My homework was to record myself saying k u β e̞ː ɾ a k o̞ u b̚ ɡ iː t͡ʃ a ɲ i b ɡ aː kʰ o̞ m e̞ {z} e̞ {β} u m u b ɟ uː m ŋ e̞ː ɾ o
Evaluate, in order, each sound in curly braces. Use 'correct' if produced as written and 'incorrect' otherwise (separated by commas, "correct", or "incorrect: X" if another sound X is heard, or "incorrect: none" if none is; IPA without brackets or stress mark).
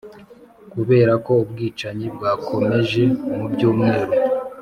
incorrect: ʒ, incorrect: none